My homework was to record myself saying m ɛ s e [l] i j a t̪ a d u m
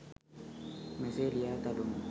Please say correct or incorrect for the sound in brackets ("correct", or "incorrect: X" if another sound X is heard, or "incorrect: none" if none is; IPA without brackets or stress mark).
correct